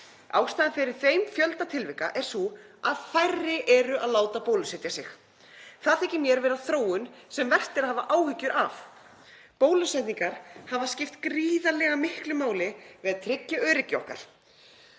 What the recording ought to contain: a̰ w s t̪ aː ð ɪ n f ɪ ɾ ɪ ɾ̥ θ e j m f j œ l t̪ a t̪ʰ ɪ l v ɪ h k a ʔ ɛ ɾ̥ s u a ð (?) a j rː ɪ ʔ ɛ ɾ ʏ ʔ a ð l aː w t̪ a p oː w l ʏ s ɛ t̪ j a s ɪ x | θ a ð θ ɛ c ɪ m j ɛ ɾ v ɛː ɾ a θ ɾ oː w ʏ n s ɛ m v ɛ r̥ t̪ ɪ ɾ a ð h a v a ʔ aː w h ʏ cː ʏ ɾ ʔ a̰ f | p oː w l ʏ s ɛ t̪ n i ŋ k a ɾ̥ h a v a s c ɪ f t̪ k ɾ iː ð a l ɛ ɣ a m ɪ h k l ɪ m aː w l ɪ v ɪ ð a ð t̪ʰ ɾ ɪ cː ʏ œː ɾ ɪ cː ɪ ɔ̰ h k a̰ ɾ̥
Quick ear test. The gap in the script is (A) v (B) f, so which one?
B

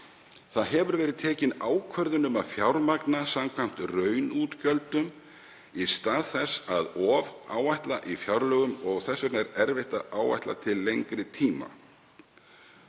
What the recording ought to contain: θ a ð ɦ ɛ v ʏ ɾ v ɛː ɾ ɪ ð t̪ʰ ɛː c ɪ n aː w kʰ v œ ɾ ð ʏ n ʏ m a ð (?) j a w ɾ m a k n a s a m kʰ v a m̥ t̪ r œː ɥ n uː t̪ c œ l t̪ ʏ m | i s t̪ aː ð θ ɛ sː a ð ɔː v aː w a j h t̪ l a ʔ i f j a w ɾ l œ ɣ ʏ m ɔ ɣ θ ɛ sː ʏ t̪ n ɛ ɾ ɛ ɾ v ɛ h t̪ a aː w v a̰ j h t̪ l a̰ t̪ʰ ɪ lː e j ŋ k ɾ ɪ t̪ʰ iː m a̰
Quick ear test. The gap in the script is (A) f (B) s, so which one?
A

